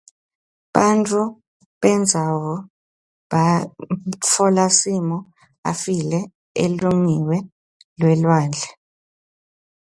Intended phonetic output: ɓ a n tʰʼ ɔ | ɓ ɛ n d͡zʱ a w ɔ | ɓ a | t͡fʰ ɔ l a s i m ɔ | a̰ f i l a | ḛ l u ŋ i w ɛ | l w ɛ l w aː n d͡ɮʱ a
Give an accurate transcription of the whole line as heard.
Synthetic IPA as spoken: ɓ a n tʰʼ u | ɓ ɛ n d͡zʱ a w ɔ | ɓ a | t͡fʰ ɔ l a s i m ɔ | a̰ f i l ɛ | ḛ l u ŋ i w ɛ | l w ɛ l w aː n d͡ɮʱ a